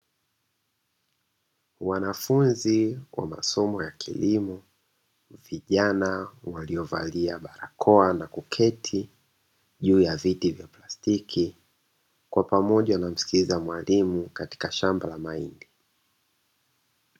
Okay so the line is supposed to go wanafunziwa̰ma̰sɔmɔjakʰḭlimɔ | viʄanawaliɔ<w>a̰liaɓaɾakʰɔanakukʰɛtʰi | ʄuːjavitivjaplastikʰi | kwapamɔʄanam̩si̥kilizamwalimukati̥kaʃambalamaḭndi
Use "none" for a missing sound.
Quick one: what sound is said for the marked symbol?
v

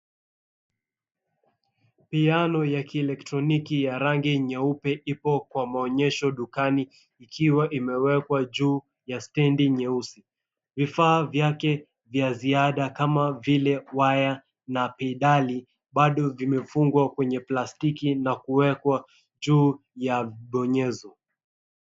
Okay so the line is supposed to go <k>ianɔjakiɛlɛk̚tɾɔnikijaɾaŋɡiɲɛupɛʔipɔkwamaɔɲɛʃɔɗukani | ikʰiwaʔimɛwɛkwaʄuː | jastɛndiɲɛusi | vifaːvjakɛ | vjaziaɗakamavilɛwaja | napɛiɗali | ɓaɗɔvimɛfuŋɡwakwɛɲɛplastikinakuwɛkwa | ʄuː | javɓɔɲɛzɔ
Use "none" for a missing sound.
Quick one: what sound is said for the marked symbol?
p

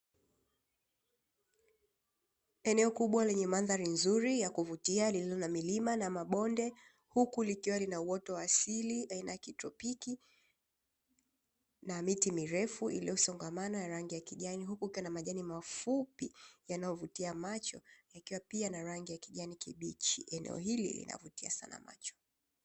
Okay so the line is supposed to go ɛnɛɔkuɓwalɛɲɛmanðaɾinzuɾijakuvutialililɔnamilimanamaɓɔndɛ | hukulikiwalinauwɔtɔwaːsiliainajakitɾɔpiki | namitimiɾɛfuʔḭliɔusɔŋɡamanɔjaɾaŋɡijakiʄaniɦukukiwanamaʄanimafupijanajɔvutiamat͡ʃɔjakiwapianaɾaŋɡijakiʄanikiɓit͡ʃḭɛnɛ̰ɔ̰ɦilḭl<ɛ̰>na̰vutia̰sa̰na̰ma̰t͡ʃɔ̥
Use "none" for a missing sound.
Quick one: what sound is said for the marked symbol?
ḭ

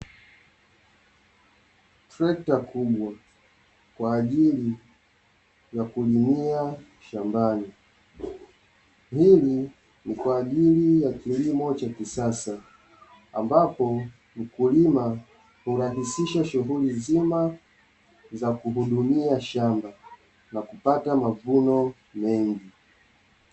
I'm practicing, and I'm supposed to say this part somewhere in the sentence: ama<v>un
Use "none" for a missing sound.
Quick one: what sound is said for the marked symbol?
v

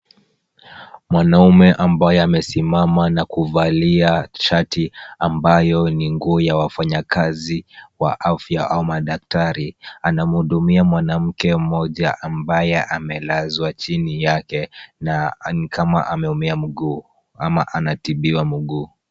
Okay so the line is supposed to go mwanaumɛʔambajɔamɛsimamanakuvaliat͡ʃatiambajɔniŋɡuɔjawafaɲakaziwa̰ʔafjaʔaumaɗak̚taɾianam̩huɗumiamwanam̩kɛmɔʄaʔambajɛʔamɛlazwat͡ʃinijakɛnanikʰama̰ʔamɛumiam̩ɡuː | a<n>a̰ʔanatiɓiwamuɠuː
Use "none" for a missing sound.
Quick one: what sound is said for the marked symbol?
m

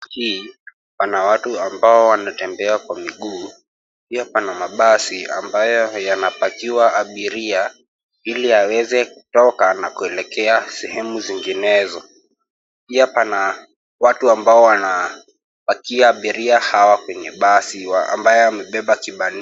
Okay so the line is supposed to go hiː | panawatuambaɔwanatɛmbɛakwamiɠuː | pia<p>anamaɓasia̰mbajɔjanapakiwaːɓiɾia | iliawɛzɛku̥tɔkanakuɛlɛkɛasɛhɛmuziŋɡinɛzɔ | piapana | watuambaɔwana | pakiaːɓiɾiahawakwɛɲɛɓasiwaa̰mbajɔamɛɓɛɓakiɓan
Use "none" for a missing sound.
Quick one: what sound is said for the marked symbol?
p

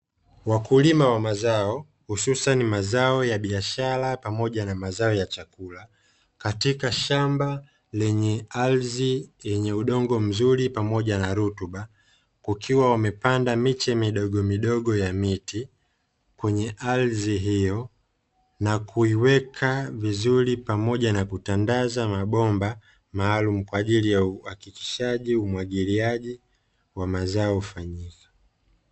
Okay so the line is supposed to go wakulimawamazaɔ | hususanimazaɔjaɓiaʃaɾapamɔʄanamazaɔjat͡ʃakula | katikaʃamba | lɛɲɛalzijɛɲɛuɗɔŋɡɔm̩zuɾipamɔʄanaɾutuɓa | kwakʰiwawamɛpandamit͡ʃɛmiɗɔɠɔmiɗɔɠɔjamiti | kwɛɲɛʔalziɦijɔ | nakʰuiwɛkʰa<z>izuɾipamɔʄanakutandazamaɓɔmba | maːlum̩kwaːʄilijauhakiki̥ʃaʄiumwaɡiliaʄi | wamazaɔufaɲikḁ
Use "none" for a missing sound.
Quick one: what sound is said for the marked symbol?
v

